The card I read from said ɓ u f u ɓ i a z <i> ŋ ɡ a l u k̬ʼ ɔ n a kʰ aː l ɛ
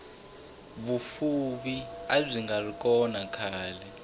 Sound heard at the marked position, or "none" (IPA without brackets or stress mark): i